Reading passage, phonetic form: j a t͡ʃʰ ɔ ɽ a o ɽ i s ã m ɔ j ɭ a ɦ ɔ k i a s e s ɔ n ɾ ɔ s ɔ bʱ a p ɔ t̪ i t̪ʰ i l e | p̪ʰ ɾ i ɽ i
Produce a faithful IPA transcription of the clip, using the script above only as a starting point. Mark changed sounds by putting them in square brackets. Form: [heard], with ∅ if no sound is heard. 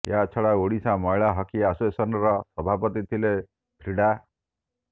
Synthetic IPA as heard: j a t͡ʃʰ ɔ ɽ a o ɽ i s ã m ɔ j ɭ a ɦ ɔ k i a s e s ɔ n ɾ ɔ s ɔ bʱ a p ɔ t̪ i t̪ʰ i l e | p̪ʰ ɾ i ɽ [a]